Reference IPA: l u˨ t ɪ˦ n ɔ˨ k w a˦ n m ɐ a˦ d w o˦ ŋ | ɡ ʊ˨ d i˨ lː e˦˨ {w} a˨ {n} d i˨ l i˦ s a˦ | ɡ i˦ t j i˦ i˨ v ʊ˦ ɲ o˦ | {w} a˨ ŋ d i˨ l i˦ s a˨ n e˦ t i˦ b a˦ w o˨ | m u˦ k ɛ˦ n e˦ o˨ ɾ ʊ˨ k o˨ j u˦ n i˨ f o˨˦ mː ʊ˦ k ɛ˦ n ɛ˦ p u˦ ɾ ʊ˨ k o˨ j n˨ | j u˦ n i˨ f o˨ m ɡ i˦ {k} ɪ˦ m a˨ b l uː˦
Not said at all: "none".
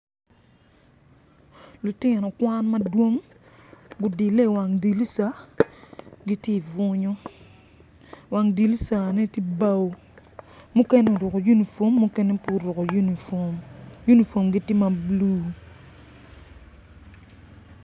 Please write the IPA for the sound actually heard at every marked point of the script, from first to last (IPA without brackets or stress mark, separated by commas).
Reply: w, ŋ, w, t